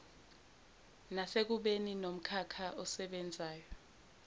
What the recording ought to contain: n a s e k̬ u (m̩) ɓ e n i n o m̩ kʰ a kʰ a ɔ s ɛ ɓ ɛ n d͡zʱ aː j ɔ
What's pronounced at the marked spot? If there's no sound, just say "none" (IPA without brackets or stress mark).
none